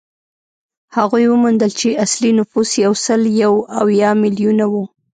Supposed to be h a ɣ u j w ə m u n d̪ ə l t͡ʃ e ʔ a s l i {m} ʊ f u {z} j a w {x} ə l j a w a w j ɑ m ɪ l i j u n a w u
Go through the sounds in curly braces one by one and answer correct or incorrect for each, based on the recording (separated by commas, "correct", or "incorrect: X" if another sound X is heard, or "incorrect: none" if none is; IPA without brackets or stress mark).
incorrect: n, incorrect: s, incorrect: s